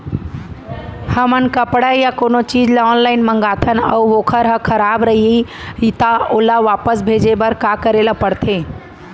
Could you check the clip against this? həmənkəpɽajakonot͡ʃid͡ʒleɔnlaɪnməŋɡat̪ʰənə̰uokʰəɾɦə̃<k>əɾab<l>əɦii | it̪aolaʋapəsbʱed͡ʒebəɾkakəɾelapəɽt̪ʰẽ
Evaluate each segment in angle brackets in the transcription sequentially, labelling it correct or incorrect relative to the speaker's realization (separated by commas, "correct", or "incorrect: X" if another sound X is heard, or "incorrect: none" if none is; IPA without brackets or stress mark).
incorrect: kʰ, incorrect: ɾ